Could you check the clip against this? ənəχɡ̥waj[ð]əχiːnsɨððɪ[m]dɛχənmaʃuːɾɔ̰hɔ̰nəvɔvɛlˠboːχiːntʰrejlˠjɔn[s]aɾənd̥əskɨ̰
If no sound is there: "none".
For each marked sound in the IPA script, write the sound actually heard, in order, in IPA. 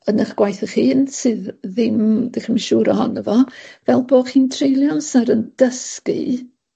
θ, m, s

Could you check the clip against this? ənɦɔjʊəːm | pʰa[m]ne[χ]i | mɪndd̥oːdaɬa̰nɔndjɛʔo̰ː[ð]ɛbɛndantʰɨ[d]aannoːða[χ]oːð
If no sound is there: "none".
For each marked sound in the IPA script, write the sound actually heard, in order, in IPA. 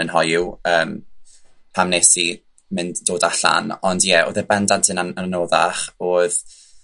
m, s, ð, n, χ

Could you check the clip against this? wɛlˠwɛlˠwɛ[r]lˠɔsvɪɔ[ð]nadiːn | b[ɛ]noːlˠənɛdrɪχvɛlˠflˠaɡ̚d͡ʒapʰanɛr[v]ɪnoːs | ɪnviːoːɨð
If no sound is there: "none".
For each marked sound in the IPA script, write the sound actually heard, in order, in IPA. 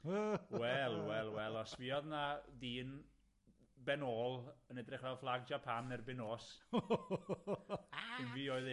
none, ð, ɛ, b

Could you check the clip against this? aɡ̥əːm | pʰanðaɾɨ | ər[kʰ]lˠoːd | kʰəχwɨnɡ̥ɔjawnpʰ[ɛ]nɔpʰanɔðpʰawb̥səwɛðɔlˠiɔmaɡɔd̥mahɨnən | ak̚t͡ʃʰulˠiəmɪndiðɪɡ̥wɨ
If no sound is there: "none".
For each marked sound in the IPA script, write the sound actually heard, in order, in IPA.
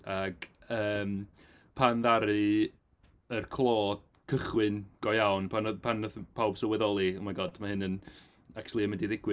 kʰ, a

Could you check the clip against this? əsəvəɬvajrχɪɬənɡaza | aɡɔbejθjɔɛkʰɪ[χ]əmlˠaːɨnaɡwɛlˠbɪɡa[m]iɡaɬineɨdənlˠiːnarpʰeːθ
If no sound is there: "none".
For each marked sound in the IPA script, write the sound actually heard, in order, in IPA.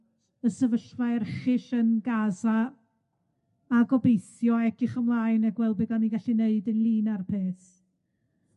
χ, n

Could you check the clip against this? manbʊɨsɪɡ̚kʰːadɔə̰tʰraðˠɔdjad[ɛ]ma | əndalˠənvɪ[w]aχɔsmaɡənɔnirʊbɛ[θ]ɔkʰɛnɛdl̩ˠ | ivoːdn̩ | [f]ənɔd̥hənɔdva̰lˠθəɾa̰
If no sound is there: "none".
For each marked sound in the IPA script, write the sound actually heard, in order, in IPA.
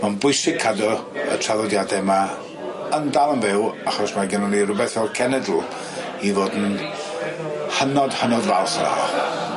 ɛ, w, θ, h

